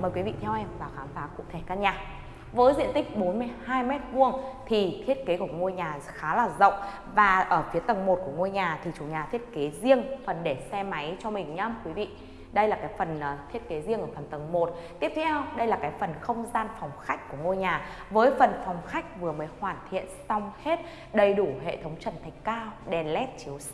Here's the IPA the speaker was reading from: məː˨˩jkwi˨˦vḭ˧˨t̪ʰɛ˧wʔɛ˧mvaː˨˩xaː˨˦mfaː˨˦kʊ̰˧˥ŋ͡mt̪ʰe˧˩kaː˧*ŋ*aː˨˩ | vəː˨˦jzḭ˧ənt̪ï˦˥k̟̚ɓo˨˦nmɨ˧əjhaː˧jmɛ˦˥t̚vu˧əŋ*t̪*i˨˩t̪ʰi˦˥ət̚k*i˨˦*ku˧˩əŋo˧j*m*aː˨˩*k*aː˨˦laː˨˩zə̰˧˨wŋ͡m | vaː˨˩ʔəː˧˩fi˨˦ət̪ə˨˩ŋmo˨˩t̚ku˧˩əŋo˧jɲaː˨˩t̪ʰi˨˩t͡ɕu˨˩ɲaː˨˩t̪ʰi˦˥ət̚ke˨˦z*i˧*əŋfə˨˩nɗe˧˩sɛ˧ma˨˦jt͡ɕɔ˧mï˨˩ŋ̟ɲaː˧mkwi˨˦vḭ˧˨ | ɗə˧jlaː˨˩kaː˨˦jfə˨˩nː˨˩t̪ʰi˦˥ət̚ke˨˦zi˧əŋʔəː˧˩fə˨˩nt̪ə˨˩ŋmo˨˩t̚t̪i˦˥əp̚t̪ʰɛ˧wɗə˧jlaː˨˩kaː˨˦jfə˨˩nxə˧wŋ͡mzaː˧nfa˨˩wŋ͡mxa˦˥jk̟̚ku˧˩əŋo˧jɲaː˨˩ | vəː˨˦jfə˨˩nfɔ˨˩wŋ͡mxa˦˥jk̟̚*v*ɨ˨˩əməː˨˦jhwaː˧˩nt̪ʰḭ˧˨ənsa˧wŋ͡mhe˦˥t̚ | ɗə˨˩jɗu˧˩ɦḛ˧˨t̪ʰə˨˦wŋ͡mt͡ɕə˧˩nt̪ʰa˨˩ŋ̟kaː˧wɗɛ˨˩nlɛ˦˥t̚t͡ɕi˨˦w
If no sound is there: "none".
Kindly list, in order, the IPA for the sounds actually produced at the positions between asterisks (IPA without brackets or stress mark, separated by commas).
ɲ, t̪ʰ, e˨˦, ɲ, x, i˧, v